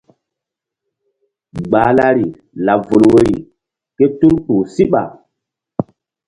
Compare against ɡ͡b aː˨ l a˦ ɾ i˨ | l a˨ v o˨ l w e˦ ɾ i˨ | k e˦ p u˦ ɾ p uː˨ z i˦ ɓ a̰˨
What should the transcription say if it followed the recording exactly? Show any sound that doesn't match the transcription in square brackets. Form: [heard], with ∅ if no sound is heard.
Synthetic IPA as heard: ɡ͡b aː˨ l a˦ ɾ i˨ | l a˨ v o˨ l w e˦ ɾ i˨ | k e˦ [t] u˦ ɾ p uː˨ [s] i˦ ɓ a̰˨